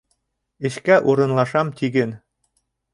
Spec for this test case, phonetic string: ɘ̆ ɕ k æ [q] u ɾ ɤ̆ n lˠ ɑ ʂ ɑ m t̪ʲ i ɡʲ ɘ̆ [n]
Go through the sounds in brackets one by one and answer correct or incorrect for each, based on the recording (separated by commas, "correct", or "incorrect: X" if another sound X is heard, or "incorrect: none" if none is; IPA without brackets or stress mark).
incorrect: ʔ, correct